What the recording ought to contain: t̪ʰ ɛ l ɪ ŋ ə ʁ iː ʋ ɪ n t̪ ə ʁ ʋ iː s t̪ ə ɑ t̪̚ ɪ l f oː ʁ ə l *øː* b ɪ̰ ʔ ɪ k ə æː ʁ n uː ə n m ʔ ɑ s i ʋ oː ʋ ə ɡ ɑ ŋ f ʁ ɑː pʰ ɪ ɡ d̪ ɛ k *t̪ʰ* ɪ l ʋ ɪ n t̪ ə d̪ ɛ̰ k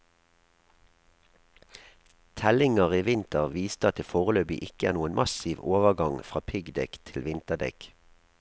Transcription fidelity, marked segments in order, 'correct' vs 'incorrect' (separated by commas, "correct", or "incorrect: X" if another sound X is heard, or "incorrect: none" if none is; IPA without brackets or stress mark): correct, correct